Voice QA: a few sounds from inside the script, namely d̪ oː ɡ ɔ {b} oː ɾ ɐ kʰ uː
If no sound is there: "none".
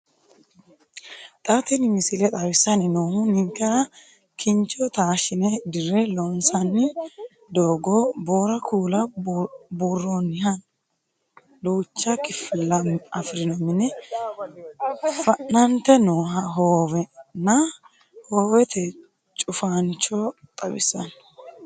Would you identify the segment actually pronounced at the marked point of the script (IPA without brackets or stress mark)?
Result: b